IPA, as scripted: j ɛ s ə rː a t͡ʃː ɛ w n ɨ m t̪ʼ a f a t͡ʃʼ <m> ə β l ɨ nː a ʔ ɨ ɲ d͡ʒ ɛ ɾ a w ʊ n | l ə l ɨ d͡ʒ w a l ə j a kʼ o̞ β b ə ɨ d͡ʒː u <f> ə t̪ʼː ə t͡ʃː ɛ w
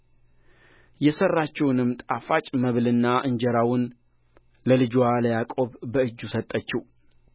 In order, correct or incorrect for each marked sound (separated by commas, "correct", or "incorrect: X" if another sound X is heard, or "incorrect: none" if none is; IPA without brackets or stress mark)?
correct, incorrect: s